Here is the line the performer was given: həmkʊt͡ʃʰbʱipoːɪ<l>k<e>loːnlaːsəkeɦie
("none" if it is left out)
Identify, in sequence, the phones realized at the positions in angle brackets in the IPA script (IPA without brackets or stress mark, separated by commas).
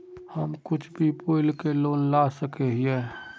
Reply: l, e